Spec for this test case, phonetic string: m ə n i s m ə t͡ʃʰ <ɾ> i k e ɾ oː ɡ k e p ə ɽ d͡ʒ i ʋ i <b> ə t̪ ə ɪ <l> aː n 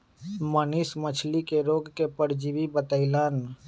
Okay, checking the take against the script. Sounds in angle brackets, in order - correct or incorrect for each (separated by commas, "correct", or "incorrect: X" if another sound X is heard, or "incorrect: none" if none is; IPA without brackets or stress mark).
incorrect: l, correct, correct